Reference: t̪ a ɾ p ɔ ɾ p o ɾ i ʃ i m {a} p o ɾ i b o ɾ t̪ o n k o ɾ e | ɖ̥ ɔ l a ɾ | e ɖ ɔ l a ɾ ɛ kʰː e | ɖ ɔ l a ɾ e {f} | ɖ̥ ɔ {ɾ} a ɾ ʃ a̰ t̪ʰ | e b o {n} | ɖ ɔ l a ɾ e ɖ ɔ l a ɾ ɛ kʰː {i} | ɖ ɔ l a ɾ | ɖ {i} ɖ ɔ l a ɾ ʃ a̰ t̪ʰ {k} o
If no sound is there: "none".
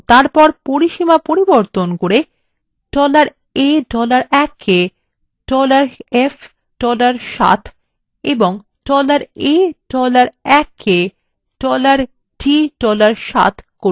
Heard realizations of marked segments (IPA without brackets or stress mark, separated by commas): a, f, l, ŋ, e, i, k